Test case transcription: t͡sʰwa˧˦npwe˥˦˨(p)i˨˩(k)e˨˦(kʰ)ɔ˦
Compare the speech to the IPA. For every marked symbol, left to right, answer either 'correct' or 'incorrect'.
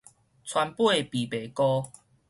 correct, incorrect: p, incorrect: k

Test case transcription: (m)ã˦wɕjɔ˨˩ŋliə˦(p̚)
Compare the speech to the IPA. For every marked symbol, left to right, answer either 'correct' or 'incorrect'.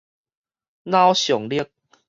incorrect: n, incorrect: k̚

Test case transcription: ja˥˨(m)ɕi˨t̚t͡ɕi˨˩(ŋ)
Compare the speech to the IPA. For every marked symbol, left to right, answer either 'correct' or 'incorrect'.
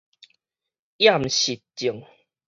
correct, correct

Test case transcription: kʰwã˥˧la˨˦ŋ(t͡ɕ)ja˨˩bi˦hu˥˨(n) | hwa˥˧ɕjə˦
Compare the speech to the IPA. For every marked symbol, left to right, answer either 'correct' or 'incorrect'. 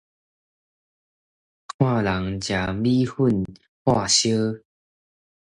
correct, correct

